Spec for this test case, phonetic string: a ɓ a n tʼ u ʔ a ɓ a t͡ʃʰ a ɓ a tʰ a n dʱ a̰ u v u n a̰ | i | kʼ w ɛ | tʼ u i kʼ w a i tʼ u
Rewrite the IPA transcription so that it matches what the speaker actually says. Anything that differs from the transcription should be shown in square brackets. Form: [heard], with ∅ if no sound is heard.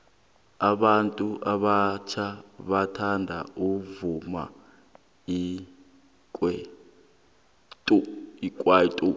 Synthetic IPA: a ɓ a n tʼ u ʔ a ɓ a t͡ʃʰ a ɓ a tʰ a n dʱ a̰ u v u [m] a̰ | i | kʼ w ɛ | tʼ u i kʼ w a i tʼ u